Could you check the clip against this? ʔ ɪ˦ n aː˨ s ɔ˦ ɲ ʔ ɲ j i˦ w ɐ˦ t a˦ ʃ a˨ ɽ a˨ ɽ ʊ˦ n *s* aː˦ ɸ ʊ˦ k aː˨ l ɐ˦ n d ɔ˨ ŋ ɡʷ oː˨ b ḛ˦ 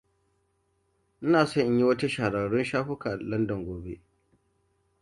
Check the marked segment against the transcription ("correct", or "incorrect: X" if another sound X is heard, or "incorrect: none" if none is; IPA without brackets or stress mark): incorrect: ʃ